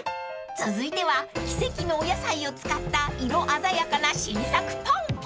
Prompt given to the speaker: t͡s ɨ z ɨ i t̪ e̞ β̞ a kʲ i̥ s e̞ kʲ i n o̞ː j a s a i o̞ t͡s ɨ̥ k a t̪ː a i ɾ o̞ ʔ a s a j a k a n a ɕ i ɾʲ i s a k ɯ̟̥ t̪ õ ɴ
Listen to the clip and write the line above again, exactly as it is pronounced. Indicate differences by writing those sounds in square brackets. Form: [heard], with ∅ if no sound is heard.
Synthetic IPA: t͡s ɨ z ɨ i t̪ e̞ β̞ a kʲ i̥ s e̞ kʲ i n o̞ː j a s a i o̞ t͡s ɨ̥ k a t̪ː a i ɾ o̞ ʔ a [z] a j a k a n a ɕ i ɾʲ i s a k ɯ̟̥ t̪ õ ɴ